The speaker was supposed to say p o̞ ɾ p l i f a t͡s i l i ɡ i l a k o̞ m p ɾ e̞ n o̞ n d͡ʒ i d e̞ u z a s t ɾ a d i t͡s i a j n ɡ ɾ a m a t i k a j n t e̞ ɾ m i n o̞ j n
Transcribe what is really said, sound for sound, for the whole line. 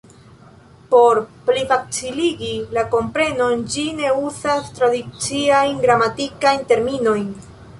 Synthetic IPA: p o̞ ɾ p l i f a t͡s i l i ɡ i l a k o̞ m p ɾ e̞ n o̞ n d͡ʒ i n e̞ u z a s t ɾ a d i t͡s i a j n ɡ ɾ a m a t i k a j n t e̞ ɾ m i n o̞ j n